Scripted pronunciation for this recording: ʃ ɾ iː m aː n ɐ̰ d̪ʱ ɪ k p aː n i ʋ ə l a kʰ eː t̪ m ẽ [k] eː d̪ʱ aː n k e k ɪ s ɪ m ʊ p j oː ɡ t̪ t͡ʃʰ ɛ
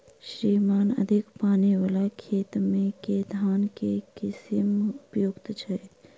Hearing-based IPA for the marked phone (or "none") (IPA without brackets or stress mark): k